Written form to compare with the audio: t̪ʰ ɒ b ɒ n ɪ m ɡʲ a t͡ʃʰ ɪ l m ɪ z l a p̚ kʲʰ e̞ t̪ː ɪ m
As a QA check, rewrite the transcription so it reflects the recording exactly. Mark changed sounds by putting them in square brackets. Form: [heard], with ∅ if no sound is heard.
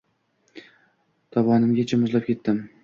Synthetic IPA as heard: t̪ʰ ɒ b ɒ n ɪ m ɡʲ a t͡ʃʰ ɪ [∅] m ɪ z l a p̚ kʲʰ e̞ t̪ː ɪ m